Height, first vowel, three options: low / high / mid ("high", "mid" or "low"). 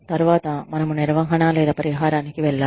low